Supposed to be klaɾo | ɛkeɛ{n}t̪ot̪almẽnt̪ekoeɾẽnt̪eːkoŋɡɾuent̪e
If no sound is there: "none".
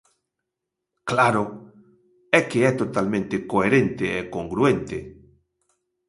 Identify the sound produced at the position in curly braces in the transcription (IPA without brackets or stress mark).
none